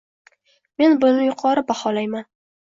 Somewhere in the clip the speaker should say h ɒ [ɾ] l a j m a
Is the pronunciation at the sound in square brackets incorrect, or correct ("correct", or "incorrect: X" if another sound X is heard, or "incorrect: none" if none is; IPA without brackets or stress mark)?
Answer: incorrect: none